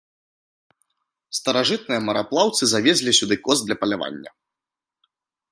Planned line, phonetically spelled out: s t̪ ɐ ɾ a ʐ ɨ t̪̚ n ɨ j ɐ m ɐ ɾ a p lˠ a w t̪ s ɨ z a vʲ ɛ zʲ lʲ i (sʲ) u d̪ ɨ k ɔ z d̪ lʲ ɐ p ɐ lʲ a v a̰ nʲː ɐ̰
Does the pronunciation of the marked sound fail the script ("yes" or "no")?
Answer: no